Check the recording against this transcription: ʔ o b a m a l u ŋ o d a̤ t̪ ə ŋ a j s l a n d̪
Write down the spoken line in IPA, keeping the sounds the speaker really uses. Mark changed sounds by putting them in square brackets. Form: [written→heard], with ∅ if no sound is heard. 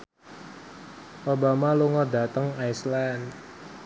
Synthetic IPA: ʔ o b a m a l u ŋ [o→ɔ] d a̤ t̪ ə ŋ a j s l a n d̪